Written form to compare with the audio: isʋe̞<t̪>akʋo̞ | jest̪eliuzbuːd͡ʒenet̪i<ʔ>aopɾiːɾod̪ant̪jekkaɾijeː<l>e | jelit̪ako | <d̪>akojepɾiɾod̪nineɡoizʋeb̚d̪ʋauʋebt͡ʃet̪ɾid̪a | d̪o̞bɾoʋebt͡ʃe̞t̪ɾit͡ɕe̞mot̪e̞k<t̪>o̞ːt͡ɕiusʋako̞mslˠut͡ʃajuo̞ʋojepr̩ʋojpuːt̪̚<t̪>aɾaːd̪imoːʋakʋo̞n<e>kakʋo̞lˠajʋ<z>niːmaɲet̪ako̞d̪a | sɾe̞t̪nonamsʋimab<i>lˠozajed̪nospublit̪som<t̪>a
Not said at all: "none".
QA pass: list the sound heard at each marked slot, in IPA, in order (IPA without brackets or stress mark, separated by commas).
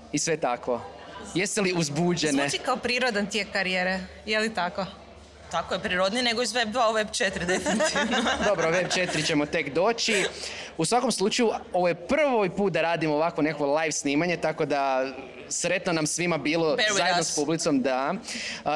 t̪, k, ɾ, t̪, d̪, d̪, e, s, iː, d̪